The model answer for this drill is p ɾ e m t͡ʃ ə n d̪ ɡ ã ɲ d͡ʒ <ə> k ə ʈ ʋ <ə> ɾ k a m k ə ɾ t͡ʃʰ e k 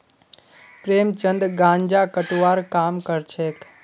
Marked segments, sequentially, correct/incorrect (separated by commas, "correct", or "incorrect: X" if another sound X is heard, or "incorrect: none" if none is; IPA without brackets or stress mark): incorrect: a, incorrect: a